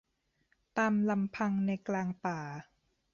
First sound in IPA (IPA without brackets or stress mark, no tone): t̪